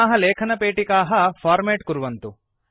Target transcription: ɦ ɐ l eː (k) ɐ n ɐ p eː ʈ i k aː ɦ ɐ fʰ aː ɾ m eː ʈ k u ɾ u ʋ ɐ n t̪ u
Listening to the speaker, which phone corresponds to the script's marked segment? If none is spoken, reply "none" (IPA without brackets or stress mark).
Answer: kʰ